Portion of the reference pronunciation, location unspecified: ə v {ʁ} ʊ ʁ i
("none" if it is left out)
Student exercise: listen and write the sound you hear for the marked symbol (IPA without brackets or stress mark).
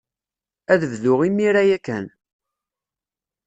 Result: ð